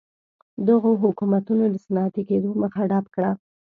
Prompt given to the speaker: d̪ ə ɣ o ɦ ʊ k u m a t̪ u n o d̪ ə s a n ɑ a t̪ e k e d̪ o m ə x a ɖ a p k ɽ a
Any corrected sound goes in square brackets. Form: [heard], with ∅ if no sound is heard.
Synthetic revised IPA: d̪ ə ɣ o ɦ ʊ k u m a t̪ u n o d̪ ə s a n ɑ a t̪ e k e d̪ o m ə x a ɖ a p k ɽ a